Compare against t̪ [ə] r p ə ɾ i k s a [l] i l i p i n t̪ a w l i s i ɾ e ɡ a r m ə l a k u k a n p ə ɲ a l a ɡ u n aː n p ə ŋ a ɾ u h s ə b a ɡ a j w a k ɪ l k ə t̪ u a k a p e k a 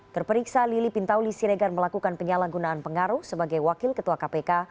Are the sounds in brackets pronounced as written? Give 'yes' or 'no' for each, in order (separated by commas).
yes, yes